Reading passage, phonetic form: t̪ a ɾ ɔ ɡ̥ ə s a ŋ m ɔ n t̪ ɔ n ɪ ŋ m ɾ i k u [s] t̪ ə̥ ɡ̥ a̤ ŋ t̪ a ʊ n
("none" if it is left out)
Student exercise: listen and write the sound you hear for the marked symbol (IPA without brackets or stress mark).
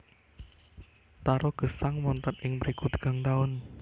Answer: none